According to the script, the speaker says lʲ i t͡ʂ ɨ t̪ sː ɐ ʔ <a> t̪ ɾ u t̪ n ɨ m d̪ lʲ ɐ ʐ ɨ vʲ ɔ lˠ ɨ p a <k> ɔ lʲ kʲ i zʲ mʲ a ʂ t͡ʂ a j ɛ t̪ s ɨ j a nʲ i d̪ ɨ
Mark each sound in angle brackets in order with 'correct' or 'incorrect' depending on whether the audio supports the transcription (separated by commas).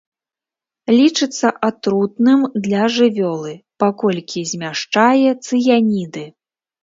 correct, correct